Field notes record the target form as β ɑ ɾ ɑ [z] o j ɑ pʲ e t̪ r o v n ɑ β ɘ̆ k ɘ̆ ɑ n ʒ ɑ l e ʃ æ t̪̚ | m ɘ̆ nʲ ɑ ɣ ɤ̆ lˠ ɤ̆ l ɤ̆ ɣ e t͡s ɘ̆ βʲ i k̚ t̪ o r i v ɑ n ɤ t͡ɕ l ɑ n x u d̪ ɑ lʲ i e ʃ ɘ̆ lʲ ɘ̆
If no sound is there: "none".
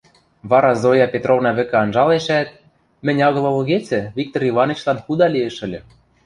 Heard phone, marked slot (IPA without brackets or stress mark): z